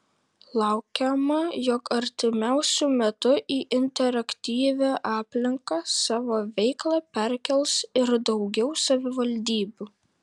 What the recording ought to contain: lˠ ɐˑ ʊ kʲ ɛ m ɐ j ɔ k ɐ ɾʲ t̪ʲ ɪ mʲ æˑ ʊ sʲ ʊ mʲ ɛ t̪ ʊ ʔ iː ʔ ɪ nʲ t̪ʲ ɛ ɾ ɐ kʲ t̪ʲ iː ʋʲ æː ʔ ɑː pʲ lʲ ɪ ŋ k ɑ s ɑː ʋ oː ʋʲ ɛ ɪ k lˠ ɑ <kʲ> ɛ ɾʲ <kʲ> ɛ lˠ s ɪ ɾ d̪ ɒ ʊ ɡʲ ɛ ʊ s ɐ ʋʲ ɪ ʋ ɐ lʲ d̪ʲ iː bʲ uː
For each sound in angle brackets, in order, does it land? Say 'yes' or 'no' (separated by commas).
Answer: no, yes